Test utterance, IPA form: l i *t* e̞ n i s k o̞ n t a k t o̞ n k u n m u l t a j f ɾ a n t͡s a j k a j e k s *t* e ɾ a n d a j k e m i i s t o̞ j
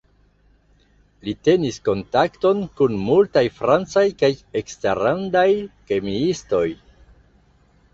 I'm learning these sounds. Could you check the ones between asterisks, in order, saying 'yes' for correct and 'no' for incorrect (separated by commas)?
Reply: yes, yes